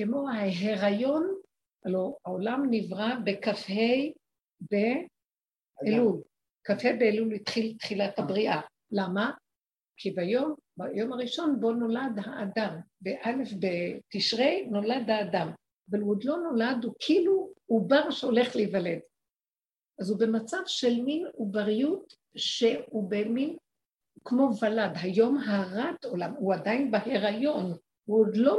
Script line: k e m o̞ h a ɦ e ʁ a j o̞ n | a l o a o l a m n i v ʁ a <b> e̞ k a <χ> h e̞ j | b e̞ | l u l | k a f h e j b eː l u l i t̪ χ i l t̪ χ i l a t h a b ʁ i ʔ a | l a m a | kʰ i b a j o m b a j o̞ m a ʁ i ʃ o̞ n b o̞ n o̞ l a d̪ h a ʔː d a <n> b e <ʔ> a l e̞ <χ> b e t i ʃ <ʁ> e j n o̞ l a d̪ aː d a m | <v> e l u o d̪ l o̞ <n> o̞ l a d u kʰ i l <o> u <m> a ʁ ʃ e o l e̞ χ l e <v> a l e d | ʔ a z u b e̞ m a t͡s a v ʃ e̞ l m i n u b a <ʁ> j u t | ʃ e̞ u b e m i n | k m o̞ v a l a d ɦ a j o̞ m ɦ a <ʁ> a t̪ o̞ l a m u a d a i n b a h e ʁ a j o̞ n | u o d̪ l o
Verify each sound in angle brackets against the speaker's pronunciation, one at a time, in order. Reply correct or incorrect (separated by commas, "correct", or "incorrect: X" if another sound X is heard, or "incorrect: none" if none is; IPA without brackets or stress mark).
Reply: correct, incorrect: f, incorrect: m, correct, incorrect: f, correct, correct, correct, incorrect: u, incorrect: b, correct, correct, correct